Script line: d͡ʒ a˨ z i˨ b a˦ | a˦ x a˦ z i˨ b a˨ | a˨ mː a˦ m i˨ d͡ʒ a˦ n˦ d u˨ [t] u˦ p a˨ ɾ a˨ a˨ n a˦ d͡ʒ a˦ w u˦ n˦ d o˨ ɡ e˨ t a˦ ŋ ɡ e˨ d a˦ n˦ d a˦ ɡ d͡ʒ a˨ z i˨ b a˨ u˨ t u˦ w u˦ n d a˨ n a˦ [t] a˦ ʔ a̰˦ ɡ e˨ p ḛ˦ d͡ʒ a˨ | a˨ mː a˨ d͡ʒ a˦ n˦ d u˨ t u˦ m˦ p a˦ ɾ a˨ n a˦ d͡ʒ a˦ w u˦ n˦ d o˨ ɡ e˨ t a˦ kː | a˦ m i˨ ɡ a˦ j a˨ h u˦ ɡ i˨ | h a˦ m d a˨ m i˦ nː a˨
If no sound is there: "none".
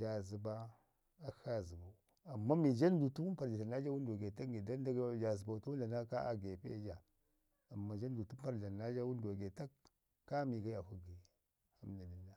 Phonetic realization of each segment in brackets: t, k

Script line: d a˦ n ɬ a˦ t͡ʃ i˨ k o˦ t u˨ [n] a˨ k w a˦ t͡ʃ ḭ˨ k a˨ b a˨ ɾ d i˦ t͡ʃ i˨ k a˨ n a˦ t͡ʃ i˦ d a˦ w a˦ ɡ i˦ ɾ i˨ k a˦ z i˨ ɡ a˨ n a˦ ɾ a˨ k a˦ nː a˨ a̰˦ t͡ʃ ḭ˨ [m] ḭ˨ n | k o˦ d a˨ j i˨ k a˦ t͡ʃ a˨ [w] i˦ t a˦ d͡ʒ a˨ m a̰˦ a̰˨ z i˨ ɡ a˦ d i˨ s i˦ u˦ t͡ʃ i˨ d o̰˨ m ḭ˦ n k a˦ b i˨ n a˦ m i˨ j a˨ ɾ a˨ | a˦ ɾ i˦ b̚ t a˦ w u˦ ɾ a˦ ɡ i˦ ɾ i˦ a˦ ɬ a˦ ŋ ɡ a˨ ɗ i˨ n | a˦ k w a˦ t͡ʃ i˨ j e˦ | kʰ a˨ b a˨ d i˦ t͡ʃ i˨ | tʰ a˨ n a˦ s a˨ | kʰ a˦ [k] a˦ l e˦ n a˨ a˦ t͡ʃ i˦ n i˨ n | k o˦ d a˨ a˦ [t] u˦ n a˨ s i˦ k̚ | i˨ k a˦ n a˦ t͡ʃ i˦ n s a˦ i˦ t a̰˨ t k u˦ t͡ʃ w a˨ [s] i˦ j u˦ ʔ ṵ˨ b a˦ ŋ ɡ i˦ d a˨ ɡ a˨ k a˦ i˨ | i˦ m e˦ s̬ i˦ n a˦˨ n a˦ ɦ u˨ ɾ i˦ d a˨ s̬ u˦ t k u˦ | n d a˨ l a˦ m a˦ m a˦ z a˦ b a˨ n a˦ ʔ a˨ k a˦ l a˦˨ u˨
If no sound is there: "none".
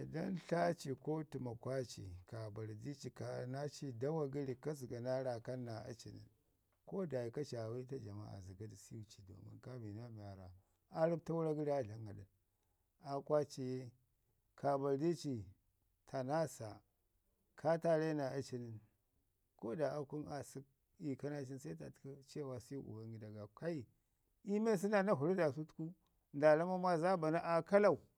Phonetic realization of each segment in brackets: m, n, w, t, k, s

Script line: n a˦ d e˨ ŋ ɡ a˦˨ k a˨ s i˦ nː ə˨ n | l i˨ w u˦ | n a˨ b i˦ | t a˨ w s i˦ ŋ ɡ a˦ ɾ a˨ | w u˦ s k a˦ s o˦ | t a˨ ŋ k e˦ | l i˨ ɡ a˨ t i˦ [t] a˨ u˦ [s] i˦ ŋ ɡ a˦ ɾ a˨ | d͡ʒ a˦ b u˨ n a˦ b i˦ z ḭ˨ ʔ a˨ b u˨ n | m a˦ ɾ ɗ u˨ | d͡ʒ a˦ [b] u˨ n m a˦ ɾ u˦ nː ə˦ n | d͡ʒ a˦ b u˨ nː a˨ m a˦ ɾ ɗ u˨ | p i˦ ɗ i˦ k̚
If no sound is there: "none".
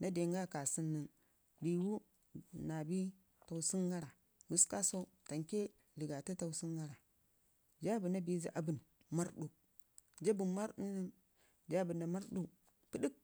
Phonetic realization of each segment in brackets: t, s, b

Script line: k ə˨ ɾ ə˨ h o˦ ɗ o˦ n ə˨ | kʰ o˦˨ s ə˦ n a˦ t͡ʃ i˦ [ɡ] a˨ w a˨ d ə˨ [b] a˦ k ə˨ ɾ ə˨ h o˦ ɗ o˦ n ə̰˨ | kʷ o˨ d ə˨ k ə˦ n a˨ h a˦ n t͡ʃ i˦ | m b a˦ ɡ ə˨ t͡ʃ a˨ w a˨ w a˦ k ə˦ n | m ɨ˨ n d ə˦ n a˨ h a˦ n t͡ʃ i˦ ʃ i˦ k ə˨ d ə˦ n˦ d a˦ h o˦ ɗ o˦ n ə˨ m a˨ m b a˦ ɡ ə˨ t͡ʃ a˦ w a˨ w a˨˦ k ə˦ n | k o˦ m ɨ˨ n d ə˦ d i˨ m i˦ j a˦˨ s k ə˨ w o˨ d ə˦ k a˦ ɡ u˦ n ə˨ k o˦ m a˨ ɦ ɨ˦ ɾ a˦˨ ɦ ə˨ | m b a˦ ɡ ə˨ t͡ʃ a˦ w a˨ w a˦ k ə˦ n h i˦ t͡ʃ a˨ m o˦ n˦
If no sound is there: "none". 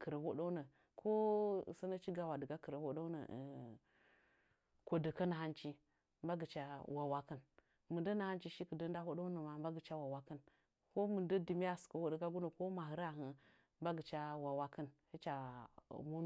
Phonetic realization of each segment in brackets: ɡ, ɡ

